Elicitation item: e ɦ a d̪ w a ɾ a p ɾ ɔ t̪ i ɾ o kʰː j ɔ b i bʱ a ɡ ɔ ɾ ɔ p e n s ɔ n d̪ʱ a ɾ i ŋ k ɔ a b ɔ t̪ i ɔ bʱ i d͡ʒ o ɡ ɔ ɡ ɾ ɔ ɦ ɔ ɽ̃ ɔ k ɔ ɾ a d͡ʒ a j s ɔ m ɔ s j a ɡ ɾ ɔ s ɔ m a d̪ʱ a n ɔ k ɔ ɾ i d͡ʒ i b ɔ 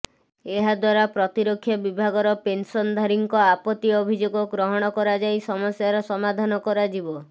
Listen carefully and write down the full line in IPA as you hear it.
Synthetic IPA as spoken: e ɦ a d̪ w a ɾ a p ɾ ɔ t̪ i ɾ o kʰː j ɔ b i bʱ a ɡ ɔ ɾ ɔ p e n s ɔ n d̪ʱ a ɾ i ŋ k ɔ a p ɔ t̪ i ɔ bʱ i d͡ʒ o ɡ ɔ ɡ ɾ ɔ ɦ ɔ ɽ̃ ɔ k ɔ ɾ a d͡ʒ a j s ɔ m ɔ s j a ɾ ɔ s ɔ m a d̪ʱ a n ɔ k ɔ ɾ a d͡ʒ i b ɔ

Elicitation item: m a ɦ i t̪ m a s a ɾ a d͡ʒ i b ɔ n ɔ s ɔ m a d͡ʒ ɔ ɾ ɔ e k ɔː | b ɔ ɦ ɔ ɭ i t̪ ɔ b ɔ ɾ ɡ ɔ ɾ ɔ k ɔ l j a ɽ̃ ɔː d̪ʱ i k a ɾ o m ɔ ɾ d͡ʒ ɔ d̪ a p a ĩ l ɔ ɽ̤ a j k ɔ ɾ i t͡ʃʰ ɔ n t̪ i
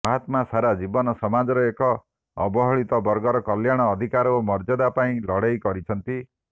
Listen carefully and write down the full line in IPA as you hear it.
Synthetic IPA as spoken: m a ɦ a t̪ m a s a ɾ a d͡ʒ i b ɔ n ɔ s ɔ m a d͡ʒ ɔ ɾ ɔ e k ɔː | b ɔ ɦ ɔ ɭ i t̪ ɔ b ɔ ɾ ɡ ɔ ɾ ɔ k ɔ l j a ɽ̃ ɔː d̪ʱ i k a ɾ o m ɔ ɾ d͡ʒ ɔ d̪ a p a ĩ l ɔ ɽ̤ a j k ɔ ɾ i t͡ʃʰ ɔ n t̪ i

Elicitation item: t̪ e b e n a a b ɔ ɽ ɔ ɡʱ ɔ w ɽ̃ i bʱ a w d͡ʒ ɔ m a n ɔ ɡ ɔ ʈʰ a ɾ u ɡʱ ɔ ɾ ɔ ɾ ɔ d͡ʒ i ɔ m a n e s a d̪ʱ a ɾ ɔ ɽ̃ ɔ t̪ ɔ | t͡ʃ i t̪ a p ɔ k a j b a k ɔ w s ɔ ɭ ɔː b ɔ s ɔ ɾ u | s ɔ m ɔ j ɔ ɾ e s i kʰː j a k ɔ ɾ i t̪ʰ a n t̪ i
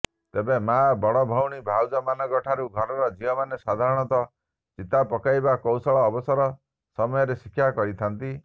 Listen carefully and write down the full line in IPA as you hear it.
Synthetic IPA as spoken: t̪ e b e m a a b ɔ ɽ ɔ bʱ ɔ w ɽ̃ i bʱ a w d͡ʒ ɔ m a n ɔ ɡ ɔ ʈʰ a ɾ u ɡʱ ɔ ɾ ɔ ɾ ɔ d͡ʒ i ɔ m a n e s a d̪ʱ a ɾ ɔ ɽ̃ ɔ t̪ ɔ | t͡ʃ i t̪ a p ɔ k a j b a k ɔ w s ɔ ɭ ɔː b ɔ s ɔ ɾ ɔ | s ɔ m ɔ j ɔ ɾ e s i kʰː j a k ɔ ɾ i t̪ʰ a n t̪ i

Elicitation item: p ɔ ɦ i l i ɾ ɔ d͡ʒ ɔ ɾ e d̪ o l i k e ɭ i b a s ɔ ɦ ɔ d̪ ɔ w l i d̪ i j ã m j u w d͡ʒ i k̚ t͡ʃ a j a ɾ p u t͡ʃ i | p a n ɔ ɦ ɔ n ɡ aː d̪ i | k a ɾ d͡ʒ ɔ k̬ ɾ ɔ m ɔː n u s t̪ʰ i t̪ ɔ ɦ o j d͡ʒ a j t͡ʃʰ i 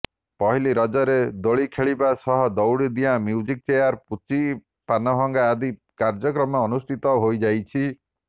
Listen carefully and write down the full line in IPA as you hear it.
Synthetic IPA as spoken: p ɔ ɦ i l i ɾ ɔ d͡ʒ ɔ ɾ e d̪ o ɭ i kʰ e ɭ i b a s ɔ ɦ ɔ d̪ ɔ w ɽ i d̪ i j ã m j u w d͡ʒ i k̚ t͡ʃ e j a ɾ p u t͡ʃ i | p a n ɔ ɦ ɔ ŋ ɡ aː d̪ i | k a ɾ d͡ʒ ɔ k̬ ɾ ɔ m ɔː n u s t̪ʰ i t̪ ɔ ɦ o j d͡ʒ a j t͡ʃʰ i

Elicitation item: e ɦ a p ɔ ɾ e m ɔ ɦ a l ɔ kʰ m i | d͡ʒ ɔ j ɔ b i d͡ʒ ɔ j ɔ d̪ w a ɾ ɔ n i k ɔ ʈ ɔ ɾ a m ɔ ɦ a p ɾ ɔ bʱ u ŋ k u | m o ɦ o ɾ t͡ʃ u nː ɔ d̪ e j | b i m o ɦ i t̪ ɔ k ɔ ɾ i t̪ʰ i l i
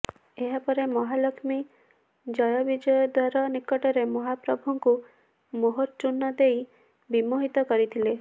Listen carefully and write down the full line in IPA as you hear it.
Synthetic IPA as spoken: e ɦ a p ɔ ɾ e m ɔ ɦ a l ɔ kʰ m i | d͡ʒ ɔ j ɔ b i d͡ʒ ɔ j ɔ d̪ w a ɾ ɔ n i k ɔ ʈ ɔ ɾ e m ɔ ɦ a p ɾ ɔ bʱ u ŋ k u | m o ɦ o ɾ t͡ʃ u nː ɔ d̪ e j | b i m o ɦ i t̪ ɔ k ɔ ɾ i t̪ʰ i l e

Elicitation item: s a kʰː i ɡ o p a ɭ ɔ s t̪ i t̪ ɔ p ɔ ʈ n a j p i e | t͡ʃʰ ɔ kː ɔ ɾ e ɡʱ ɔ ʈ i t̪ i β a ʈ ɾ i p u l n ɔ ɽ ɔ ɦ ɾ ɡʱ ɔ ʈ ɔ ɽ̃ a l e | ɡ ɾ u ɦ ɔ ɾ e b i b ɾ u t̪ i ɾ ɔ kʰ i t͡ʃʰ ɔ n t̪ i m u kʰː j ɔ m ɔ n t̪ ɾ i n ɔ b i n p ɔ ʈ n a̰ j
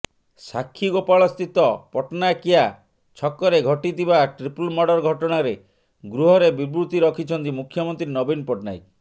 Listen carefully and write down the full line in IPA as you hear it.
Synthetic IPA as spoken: s a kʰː i ɡ o p a ɭ ɔ s t̪ i t̪ ɔ p ɔ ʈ n a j k i a | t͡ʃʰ ɔ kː ɔ ɾ e ɡʱ ɔ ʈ i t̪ i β a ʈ ɾ i p u l m ɔ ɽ ɔ ɾ ɡʱ ɔ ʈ ɔ ɽ̃ a ɾ e | ɡ ɾ u ɦ ɔ ɾ e b i b ɾ u t̪ i ɾ ɔ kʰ i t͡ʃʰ ɔ n t̪ i m u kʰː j ɔ m ɔ n t̪ ɾ i n ɔ b i n p ɔ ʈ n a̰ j

